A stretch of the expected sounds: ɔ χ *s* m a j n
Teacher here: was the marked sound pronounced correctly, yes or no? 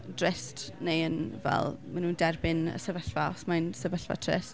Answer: yes